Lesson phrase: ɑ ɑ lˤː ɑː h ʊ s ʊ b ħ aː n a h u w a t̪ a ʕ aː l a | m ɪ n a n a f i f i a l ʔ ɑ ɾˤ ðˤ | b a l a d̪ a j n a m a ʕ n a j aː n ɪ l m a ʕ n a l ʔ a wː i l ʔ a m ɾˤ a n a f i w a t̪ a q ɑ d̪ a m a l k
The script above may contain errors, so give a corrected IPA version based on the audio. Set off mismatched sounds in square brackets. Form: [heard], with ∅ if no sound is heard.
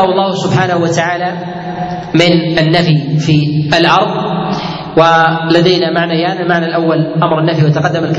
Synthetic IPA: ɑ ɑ lˤː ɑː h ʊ s ʊ b ħ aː n a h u w a t̪ a ʕ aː l a | m ɪ n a [nː] a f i f i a l ʔ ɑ ɾˤ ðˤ | [w] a l a d̪ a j n a m a ʕ n a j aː n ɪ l m a ʕ n a l ʔ a wː [a] l ʔ a m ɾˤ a [nː] a f i w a t̪ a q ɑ [d̪ː] a m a l k